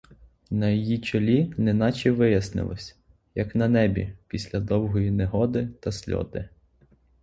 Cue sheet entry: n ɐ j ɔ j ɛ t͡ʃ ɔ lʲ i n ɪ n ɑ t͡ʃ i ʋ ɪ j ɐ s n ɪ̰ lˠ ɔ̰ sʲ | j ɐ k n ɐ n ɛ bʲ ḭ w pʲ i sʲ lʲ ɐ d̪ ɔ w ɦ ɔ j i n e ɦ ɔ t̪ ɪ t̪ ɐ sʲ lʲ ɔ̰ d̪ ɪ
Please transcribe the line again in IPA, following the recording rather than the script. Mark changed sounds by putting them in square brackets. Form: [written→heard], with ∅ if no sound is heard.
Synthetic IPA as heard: n ɐ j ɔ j [ɛ→i] t͡ʃ ɔ lʲ i n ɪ n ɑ t͡ʃ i ʋ ɪ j ɐ s n ɪ̰ lˠ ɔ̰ sʲ | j ɐ k n ɐ n ɛ bʲ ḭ [w→∅] pʲ i sʲ lʲ ɐ d̪ ɔ w ɦ ɔ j i n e ɦ ɔ [t̪→d̪] ɪ t̪ ɐ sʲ lʲ ɔ̰ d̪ ɪ